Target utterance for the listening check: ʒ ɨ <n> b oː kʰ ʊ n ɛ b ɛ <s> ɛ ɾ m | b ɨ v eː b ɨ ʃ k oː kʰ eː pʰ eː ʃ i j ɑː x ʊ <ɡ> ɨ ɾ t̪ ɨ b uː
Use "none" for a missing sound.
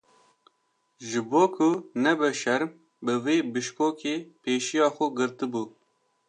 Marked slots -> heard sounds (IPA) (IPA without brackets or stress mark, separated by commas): none, ʃ, ɡ